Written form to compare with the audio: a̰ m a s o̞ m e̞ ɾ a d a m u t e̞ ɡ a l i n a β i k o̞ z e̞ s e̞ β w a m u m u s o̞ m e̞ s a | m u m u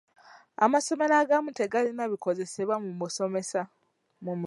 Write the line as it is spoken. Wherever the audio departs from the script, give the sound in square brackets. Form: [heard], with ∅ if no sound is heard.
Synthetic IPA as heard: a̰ m a s o̞ m e̞ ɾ a [ɡ] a m u t e̞ ɡ a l i n a β i k o̞ z e̞ s e̞ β w a m u m u s o̞ m e̞ s a | m u m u

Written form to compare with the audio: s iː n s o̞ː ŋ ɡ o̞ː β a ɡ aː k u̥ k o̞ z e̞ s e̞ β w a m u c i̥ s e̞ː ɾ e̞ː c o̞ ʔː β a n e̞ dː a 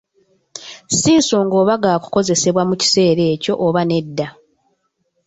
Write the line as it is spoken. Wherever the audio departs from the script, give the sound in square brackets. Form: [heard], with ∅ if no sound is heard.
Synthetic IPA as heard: s iː n s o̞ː ŋ ɡ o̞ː β a ɡ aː k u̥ k o̞ z e̞ s e̞ β w a m u c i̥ s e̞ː ɾ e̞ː c o̞ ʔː β a n e̞ dː a

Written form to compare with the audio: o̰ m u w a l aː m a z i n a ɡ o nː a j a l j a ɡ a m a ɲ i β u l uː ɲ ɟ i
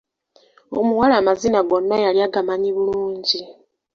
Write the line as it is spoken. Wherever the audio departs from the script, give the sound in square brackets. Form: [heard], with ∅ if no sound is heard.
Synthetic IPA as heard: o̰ m u w a l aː m a z i n a ɡ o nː a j a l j a ɡ a m a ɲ i β u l uː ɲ ɟ i

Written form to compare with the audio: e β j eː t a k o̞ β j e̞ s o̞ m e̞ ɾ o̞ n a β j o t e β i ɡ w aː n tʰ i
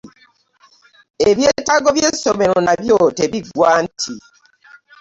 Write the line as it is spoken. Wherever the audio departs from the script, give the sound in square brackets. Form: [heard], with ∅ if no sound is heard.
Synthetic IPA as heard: e β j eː t a [ɡ] o̞ β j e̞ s o̞ m e̞ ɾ o̞ n a β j o t e β i ɡ w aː n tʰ i

